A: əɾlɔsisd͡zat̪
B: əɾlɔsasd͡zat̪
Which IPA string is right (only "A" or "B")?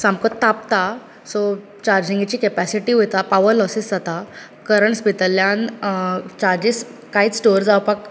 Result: A